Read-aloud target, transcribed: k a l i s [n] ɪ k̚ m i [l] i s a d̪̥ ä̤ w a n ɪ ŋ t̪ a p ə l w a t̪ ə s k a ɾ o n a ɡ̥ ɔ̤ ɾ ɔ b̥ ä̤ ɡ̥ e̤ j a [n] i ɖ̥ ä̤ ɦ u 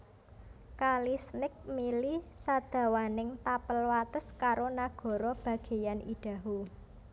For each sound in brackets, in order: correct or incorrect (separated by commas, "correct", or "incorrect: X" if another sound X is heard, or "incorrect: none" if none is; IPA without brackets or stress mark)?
correct, correct, correct